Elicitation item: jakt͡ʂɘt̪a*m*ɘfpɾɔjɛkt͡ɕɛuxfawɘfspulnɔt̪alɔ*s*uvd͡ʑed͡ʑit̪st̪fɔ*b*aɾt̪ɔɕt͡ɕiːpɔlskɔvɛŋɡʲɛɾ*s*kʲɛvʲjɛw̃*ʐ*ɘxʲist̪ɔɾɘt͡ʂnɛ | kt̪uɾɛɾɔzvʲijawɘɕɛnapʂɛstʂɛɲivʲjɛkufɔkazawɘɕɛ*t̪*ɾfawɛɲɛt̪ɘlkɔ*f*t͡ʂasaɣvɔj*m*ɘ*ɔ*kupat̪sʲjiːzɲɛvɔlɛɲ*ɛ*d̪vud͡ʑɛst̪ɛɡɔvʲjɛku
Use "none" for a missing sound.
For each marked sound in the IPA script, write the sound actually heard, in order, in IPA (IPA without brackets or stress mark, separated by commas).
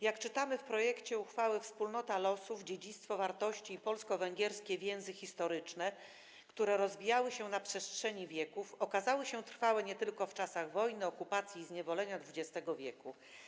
m, s, v, s, z, t̪, f, n, ɔ, a